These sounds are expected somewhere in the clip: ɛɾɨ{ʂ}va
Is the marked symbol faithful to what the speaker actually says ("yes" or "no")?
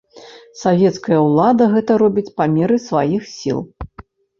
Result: no